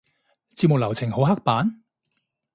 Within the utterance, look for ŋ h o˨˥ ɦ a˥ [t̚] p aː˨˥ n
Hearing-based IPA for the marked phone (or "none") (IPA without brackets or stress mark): k̚